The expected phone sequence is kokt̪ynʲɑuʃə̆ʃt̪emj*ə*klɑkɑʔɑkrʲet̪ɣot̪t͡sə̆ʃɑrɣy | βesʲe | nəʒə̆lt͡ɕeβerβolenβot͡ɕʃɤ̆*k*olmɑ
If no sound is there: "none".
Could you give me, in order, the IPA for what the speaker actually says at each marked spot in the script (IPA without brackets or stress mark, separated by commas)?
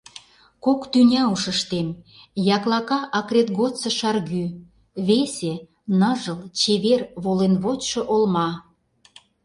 ɑ, ʔ